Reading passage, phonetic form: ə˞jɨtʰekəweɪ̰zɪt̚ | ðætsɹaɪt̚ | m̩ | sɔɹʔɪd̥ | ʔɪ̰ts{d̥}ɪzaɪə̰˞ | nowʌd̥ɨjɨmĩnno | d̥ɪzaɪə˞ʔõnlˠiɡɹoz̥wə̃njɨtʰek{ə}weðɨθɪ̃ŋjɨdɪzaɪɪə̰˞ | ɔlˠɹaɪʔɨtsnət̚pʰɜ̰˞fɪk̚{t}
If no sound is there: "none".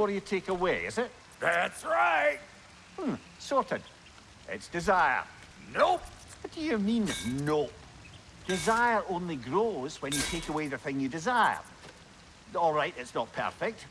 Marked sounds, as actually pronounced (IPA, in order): d̥, ə, t

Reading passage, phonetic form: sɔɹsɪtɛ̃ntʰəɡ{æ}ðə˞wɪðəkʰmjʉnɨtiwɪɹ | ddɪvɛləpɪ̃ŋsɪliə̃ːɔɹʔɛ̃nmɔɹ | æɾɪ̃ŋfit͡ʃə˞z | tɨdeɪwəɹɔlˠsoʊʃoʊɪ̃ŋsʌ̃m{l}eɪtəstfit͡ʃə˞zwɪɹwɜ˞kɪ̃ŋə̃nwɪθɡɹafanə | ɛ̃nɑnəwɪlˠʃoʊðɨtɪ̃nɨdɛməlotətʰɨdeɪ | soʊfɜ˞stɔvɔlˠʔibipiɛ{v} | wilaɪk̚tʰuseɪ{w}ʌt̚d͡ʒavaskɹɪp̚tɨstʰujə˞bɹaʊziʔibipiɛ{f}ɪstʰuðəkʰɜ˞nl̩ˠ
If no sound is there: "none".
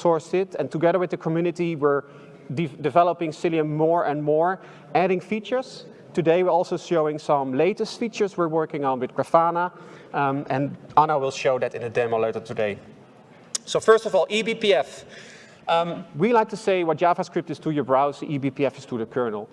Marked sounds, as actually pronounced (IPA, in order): ɛ, l, f, w, f

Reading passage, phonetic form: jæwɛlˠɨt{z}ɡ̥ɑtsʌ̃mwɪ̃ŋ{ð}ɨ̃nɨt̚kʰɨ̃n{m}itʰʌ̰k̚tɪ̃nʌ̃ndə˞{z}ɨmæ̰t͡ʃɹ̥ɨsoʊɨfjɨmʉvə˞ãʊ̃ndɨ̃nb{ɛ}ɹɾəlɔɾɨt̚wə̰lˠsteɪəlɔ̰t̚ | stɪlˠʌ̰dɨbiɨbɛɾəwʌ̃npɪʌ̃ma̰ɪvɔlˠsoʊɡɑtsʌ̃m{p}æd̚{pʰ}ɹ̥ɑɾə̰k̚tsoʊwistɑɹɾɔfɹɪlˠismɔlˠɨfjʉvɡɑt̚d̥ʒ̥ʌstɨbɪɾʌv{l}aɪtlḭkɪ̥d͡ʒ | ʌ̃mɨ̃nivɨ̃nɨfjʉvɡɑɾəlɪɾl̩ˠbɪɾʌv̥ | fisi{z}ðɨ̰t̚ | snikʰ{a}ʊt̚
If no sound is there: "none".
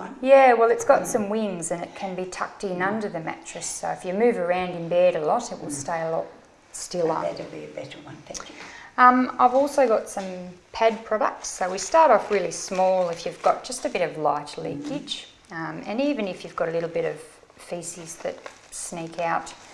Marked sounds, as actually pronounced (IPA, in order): s, z, b, ð, ɛ, pʰ, pʰ, l, z, a

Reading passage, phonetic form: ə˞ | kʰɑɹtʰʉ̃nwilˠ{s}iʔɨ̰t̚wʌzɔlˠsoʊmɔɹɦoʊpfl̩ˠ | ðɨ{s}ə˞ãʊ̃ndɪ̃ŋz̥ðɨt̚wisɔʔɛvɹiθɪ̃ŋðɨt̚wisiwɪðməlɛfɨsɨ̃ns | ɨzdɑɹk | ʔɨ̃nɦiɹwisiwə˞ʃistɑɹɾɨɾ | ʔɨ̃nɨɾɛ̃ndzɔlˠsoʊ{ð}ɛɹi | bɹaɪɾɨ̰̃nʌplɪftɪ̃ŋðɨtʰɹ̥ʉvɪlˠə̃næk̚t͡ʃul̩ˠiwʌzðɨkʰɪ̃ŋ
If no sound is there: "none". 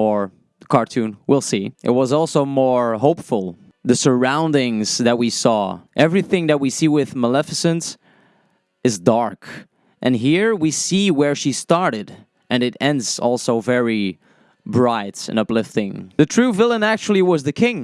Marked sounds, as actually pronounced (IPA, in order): s, s, v

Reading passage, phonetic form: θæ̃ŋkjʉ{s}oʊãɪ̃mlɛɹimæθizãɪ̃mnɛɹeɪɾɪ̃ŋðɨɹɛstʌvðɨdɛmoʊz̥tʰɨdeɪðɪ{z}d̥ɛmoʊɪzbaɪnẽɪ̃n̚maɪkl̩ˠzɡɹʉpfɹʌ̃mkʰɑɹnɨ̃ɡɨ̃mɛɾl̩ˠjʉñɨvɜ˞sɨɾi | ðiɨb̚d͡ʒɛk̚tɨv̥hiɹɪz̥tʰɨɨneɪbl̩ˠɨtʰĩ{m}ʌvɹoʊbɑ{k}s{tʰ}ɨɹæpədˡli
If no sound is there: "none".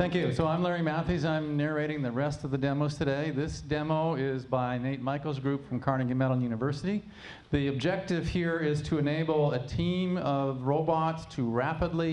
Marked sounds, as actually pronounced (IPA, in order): s, s, m, t, tʰ

